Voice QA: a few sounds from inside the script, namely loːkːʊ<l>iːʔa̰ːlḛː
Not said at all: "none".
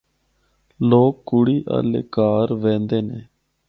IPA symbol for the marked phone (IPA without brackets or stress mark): ɽ